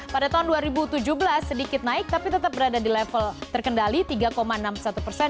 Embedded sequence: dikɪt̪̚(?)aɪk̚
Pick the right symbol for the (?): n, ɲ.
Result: n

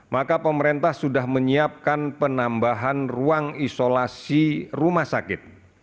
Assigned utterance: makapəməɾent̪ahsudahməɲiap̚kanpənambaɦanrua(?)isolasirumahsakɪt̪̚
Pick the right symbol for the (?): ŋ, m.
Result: ŋ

